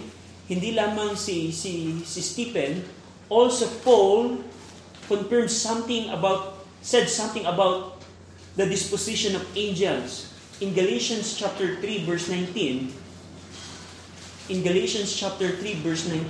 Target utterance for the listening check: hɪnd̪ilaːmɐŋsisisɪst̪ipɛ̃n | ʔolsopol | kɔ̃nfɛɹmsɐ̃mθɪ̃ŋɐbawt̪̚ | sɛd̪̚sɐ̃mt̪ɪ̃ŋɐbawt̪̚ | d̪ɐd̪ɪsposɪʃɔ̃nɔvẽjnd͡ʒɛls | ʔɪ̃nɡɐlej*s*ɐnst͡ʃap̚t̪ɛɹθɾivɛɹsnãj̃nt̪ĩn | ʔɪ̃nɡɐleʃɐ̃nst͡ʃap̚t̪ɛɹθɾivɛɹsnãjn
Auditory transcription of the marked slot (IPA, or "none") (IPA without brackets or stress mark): ʃ